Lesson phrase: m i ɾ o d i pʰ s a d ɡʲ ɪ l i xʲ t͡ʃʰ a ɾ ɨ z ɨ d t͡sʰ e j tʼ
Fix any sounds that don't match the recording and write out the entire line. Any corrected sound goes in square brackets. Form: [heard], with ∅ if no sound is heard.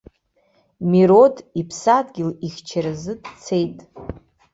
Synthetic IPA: m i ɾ o d i pʰ s a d ɡʲ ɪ l i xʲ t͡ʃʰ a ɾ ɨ z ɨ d t͡sʰ e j tʼ

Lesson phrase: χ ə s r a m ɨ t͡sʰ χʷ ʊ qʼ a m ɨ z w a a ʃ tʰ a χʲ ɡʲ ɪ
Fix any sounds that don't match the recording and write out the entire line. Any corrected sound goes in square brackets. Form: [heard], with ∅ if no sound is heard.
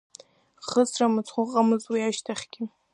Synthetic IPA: χ ə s r a m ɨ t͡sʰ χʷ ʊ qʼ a m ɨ z w [i] a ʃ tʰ a χʲ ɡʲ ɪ

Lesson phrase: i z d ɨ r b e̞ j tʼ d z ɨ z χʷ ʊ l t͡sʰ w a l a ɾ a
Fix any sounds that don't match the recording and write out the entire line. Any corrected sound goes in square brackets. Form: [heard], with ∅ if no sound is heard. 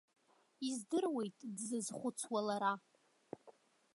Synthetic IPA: i z d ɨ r [w] e̞ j tʼ d z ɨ z χʷ ʊ [∅] t͡sʰ w a l a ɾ a

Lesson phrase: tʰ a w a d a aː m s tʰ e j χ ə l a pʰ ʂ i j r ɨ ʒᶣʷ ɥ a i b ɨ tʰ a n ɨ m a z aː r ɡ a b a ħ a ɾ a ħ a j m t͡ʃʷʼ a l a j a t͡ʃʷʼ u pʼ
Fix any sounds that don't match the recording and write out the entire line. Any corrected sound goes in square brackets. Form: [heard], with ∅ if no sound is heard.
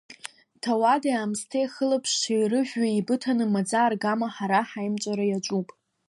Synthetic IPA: tʰ a w a d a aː m s tʰ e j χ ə l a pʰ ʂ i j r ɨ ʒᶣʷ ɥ a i b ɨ tʰ a n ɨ m a [d͡z] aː r ɡ a [m] a ħ a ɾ a ħ a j m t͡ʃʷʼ a [ɾ] a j a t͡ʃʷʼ u pʼ

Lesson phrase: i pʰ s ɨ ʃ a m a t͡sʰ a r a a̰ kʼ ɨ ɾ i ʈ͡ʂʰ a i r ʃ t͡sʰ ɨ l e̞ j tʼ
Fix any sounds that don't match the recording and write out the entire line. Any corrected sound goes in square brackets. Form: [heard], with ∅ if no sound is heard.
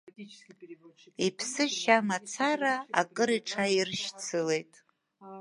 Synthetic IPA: i pʰ s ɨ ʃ a m a t͡sʰ a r a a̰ kʼ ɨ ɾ i ʈ͡ʂʰ a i r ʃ t͡sʰ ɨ l e̞ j tʼ

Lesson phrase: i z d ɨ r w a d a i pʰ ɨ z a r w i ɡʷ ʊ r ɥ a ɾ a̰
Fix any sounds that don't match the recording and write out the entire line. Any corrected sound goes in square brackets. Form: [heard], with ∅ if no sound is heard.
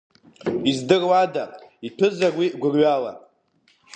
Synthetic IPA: i z d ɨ r w a d a i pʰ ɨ z a r w i ɡʷ ʊ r ɥ a [l] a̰

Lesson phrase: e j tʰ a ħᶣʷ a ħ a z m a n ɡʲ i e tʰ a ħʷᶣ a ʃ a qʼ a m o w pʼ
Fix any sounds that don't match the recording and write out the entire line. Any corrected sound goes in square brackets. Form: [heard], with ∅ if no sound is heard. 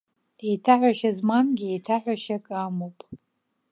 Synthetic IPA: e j tʰ a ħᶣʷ a [ʃ] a z m a n ɡʲ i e tʰ a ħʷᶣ a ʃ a [kʼ] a m o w pʼ

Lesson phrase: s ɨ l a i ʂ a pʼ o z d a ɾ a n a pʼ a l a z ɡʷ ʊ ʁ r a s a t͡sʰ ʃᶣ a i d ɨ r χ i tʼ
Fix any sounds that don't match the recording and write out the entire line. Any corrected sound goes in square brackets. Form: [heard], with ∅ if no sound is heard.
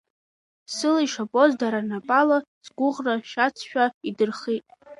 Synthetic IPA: s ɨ l a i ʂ a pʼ o z d a ɾ a n a pʼ a l a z ɡʷ ʊ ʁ r a [ʃ] a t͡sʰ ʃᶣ a i d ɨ r χ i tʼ

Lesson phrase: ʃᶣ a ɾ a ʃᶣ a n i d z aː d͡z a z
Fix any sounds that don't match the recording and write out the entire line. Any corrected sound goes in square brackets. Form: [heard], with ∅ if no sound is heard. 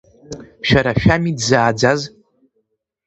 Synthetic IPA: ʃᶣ a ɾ a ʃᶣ a [m] i d z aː d͡z a z

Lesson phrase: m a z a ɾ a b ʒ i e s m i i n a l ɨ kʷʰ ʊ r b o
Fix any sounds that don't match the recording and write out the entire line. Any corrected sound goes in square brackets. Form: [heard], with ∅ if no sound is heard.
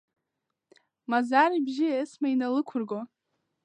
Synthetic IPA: m a z a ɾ [i] b ʒ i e s m [a] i n a l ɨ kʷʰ ʊ r [ɡ] o

